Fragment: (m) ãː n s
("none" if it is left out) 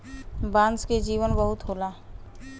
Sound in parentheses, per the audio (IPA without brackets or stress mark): b